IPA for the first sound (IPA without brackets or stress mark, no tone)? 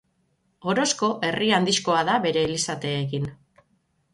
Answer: o̞